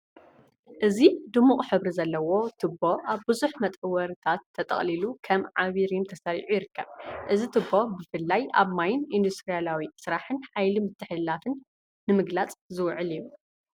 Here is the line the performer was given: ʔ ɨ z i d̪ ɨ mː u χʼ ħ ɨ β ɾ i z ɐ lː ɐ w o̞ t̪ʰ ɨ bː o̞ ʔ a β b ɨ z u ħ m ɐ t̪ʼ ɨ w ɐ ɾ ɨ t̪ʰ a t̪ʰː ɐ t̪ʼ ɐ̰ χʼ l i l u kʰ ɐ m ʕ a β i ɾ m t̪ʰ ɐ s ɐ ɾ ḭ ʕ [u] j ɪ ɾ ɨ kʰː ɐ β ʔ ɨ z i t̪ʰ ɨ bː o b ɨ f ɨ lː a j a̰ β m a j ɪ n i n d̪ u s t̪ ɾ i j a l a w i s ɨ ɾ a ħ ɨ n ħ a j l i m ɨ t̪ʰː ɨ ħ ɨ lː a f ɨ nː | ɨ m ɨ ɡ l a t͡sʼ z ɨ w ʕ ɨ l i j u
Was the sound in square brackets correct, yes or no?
yes